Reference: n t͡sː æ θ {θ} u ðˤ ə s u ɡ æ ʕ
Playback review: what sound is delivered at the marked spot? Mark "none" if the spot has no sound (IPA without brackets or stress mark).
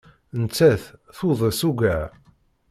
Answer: θ